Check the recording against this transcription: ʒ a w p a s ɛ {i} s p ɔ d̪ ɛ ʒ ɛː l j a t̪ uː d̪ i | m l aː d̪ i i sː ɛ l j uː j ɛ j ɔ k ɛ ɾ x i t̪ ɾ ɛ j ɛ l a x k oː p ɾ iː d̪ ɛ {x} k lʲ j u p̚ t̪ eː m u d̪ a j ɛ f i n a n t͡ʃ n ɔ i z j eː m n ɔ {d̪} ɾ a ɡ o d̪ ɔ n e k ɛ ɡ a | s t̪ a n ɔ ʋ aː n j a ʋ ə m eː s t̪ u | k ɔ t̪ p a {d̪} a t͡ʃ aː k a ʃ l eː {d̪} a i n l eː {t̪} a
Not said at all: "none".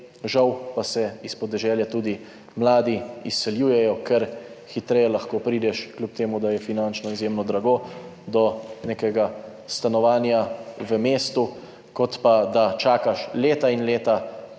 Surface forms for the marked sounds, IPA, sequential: i, ʃ, d̪, d̪, t̪, t̪

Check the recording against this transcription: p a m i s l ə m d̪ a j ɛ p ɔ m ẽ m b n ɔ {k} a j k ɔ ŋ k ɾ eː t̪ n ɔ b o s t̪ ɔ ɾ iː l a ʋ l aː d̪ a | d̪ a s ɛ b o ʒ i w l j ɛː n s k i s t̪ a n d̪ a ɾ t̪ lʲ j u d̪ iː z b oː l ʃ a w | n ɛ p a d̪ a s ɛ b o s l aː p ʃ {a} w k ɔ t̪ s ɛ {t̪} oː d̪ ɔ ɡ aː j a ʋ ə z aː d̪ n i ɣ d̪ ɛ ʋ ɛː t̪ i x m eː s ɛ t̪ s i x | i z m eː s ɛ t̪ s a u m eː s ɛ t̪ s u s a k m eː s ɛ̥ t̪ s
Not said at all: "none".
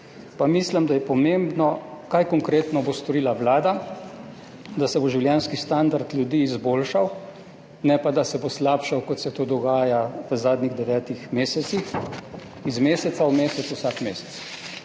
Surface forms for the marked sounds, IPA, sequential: k, a, t̪

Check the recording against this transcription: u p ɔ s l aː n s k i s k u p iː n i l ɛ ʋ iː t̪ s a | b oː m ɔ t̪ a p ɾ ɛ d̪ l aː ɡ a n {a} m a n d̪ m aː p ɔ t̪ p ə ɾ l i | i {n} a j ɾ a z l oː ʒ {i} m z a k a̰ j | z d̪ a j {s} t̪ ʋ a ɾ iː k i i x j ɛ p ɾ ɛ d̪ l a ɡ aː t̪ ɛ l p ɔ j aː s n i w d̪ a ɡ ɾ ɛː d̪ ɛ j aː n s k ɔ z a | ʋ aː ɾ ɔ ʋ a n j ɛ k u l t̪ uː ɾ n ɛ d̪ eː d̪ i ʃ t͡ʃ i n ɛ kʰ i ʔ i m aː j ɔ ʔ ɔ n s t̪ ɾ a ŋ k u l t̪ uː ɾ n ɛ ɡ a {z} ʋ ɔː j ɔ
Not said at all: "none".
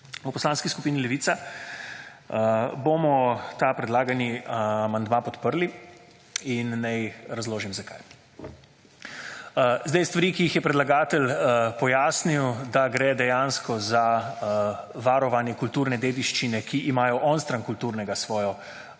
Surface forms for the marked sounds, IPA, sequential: i, nː, i, s, s

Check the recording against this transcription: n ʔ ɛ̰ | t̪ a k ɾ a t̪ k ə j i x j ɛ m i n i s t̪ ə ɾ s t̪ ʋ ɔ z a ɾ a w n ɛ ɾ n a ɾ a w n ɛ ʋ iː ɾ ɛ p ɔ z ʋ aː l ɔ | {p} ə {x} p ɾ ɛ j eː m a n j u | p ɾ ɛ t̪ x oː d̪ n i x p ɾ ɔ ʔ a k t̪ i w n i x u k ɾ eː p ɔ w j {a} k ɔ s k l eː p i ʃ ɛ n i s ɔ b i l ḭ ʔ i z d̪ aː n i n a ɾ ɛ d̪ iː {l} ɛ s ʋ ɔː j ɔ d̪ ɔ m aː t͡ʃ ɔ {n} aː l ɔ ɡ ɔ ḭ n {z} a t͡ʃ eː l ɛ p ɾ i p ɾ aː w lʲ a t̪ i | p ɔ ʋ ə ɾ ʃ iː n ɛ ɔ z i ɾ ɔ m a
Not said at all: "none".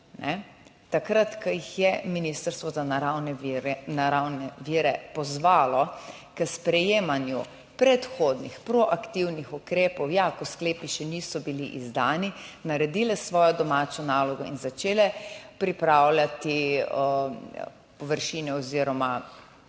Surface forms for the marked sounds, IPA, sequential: k, s, a, l, n, z

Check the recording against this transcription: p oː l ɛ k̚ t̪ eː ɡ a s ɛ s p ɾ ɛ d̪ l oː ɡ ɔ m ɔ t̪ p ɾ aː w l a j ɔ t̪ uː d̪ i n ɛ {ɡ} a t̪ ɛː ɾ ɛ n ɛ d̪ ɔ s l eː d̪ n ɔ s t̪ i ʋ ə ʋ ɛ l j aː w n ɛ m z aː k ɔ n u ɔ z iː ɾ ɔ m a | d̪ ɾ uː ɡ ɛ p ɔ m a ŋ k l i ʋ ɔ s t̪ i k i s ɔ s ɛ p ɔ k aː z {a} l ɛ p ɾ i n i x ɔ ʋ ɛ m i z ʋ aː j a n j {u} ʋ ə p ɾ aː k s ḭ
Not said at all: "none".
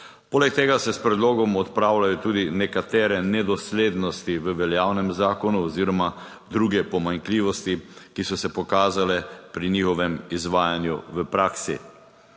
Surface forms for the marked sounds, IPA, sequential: k, a, u

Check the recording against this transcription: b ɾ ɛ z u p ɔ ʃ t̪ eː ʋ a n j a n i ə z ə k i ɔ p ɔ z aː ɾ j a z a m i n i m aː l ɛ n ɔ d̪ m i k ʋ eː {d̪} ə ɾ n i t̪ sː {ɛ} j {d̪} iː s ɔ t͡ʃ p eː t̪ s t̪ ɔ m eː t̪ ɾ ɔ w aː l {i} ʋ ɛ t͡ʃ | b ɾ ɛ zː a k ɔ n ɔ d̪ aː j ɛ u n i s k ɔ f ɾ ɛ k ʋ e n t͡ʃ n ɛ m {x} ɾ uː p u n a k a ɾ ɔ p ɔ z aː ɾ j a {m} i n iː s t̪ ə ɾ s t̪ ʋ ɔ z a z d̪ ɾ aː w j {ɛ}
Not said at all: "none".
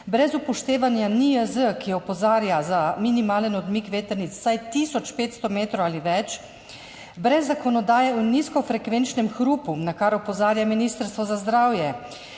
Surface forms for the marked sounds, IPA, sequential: t̪, a, t̪, i, x, m, ɛ

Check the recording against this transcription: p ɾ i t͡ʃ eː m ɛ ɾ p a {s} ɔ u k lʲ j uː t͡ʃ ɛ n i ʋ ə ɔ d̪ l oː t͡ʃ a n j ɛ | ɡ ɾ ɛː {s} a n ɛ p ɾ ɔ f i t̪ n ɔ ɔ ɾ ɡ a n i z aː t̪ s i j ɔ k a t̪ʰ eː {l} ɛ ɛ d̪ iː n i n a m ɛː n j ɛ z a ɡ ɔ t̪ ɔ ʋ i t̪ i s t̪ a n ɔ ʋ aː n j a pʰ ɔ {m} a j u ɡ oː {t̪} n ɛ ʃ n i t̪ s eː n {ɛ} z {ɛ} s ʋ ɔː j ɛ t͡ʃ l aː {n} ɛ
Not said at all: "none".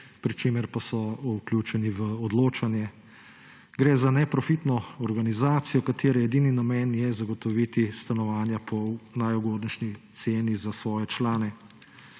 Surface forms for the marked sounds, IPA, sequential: s, z, ɾ, n, d̪, i, a, n

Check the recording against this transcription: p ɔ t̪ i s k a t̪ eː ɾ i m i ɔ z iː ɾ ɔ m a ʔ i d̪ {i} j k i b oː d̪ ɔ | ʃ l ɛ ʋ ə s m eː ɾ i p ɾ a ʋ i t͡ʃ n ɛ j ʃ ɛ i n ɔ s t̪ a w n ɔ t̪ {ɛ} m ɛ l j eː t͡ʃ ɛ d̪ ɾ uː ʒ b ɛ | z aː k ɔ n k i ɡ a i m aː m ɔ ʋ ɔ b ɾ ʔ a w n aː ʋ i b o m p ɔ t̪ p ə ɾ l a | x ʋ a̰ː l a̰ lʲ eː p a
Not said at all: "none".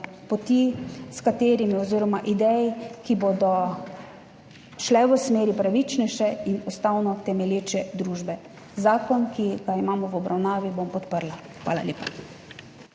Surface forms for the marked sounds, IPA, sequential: ɛ, ɛ

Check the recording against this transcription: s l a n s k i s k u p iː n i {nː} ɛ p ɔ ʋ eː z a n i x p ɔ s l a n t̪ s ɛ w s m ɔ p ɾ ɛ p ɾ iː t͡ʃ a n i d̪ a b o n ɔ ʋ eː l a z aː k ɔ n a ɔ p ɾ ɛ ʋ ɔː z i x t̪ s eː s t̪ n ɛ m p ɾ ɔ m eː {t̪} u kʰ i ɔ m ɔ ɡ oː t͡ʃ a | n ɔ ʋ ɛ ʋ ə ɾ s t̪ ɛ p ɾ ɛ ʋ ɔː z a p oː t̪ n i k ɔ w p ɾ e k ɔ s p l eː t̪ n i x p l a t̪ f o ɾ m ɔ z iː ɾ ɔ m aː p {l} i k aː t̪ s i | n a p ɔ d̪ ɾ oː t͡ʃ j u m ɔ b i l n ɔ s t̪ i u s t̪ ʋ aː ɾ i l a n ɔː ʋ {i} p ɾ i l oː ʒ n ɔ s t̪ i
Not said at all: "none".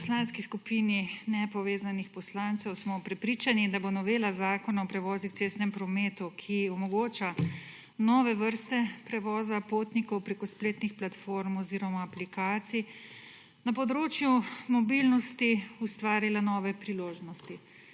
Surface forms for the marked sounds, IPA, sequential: n, t̪, l, ɛ

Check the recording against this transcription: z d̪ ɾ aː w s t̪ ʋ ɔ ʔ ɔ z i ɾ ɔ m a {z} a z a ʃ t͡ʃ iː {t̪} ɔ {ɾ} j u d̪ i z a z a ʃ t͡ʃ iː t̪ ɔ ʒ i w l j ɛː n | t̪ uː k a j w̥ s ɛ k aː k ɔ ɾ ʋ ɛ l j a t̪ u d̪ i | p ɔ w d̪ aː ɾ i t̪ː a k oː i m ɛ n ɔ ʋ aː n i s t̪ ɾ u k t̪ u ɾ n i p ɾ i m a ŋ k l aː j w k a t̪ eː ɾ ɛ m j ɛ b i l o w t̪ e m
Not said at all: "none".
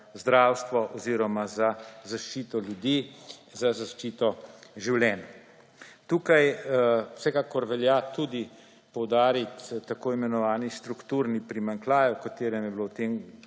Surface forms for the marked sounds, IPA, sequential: z, t̪, l

